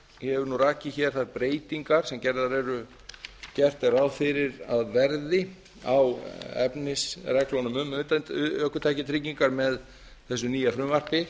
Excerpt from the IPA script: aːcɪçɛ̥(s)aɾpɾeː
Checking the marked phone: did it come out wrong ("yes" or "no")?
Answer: yes